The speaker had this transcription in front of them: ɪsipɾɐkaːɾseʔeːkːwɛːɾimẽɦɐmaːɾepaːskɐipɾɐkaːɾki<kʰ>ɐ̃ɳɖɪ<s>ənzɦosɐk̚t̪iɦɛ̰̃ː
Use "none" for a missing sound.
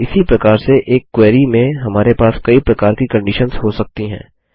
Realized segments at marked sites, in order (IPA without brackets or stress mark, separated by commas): k, ʃ